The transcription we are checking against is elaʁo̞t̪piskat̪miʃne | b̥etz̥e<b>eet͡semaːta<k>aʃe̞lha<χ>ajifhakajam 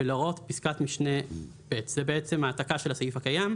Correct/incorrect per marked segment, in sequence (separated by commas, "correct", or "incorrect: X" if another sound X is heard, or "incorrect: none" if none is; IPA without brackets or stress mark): correct, correct, incorrect: s